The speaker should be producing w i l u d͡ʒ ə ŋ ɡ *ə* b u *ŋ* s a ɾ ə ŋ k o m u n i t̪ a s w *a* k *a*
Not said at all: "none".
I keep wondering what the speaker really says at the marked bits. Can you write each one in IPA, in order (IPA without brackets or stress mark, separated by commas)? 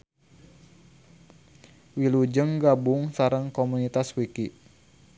a, ŋ, i, i